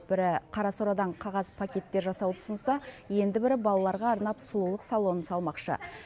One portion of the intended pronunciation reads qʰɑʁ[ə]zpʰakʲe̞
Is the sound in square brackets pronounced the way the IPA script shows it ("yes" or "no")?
no